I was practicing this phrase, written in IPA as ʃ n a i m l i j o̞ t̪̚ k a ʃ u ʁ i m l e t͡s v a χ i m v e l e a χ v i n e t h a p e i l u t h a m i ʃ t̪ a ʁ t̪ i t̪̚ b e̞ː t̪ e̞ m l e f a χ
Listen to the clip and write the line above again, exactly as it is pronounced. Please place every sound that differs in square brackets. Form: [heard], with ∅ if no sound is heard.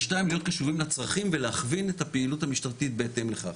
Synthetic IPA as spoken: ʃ n a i m l i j o̞ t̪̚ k a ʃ u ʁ i m l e t͡s [ʁ] a χ i m v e l e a χ v i n e t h a p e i l u t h a m i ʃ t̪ a ʁ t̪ i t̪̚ b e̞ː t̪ e̞ m l e [χ] a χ